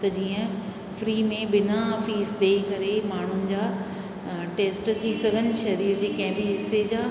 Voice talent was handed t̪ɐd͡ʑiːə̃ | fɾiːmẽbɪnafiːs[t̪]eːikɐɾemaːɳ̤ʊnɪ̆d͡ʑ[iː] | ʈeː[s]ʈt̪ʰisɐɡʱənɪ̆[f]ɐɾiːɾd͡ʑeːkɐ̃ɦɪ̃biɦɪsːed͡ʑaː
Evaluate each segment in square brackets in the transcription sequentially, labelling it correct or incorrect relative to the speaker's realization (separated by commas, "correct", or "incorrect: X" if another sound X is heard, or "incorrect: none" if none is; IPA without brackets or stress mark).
incorrect: d̪, incorrect: aː, correct, incorrect: ʃ